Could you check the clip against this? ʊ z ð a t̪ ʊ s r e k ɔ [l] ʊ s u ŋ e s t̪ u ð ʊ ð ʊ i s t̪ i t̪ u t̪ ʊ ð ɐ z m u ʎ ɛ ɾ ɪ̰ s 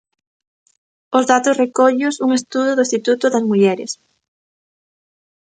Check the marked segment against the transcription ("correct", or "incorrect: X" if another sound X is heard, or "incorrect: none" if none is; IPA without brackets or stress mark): incorrect: ʎ